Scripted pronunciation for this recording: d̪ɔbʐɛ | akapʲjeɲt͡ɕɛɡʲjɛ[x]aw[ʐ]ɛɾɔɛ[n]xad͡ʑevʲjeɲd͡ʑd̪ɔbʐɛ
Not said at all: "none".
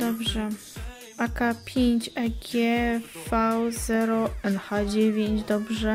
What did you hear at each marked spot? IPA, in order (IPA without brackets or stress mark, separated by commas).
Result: f, z, n